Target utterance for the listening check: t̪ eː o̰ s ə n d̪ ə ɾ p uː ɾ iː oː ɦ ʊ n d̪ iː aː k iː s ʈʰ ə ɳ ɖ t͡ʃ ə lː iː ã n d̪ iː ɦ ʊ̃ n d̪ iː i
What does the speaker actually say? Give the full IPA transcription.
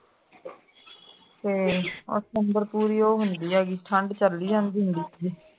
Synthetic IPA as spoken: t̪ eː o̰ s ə n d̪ ə ɾ p uː ɾ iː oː ɦ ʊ n d̪ iː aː ɡ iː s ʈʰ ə ɳ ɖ t͡ʃ ə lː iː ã n d̪ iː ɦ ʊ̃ n d̪ iː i